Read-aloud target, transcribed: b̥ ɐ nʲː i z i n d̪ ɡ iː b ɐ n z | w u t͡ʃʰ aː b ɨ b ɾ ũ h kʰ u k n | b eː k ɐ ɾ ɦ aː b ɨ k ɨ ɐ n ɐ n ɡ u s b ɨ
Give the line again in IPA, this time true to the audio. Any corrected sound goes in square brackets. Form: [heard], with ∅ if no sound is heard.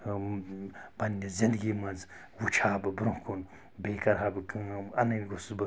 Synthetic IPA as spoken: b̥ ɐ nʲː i z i n d̪ ɡ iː [m] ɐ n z | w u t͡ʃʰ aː b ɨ b ɾ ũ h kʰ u [∅] n | b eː k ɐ ɾ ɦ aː b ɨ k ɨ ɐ n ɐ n ɡ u s b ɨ